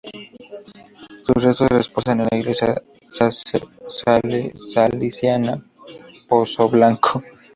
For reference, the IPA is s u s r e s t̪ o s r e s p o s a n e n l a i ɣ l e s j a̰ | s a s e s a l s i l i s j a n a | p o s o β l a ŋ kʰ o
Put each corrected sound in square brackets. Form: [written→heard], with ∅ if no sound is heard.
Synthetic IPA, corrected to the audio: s u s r e s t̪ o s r e s p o s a n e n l a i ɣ l e s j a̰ | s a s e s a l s [i→a] l i s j a n a | p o s o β l a ŋ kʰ o